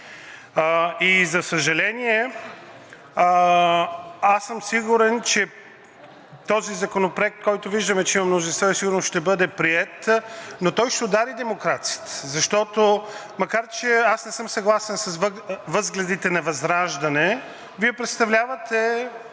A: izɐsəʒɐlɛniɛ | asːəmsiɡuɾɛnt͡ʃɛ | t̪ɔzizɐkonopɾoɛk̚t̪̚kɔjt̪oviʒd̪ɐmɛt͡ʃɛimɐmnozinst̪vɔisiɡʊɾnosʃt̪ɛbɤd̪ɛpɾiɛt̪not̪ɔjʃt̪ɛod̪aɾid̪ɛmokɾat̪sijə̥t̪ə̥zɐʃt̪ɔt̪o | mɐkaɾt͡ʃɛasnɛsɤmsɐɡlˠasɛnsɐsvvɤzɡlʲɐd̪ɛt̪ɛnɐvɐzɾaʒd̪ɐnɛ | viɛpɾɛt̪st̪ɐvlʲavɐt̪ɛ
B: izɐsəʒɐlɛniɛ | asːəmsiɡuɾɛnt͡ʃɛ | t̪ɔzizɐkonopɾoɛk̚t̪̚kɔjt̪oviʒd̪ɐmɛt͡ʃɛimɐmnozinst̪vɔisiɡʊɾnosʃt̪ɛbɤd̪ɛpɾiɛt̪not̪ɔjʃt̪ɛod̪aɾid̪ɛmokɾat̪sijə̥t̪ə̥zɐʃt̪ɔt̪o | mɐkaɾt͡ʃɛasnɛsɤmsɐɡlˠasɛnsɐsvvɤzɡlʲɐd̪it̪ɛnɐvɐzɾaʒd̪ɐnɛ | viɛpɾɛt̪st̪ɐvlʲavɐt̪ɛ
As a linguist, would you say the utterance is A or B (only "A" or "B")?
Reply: B